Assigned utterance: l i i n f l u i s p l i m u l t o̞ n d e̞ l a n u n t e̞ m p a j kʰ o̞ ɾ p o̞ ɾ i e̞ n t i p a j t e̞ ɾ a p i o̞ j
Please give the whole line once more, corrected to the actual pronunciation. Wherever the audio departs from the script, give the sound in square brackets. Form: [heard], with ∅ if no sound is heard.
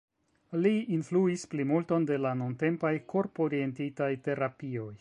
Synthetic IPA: l i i n f l u i s p l i m u l t o̞ n d e̞ l a n u n t e̞ m p a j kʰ o̞ ɾ p o̞ ɾ i e̞ n t i [t] a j t e̞ ɾ a p i o̞ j